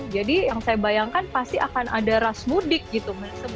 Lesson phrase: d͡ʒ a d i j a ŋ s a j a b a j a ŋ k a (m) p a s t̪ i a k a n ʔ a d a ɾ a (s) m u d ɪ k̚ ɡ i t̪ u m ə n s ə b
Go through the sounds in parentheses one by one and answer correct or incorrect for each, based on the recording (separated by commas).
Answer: incorrect, correct